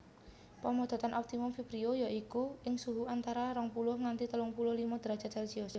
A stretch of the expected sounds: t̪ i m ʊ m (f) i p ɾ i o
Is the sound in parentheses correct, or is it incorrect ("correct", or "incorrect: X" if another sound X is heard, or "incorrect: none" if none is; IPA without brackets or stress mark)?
correct